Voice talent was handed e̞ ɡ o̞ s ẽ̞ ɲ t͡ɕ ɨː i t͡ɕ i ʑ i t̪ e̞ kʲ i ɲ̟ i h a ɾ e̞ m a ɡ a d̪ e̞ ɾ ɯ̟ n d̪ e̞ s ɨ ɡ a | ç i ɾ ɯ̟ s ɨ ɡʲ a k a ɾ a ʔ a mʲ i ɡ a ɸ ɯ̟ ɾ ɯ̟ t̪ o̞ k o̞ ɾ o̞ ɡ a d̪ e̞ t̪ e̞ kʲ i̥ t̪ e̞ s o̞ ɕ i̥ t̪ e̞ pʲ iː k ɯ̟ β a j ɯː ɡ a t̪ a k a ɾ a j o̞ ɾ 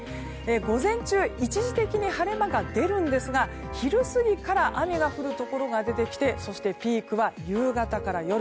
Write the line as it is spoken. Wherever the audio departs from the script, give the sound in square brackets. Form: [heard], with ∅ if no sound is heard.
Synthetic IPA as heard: e̞ ɡ o̞ [z] ẽ̞ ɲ t͡ɕ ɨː i t͡ɕ i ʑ i t̪ e̞ kʲ i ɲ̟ i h a ɾ e̞ m a ɡ a d̪ e̞ ɾ [ɯ̟̃] n d̪ e̞ s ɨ ɡ a | ç i ɾ ɯ̟ s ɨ ɡʲ [i] k a ɾ a ʔ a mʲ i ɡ a ɸ ɯ̟ ɾ ɯ̟ t̪ o̞ k o̞ ɾ o̞ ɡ a d̪ e̞ t̪ e̞ kʲ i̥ t̪ e̞ s o̞ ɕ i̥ t̪ e̞ pʲ iː k ɯ̟ β a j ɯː ɡ a t̪ a k a ɾ a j o̞ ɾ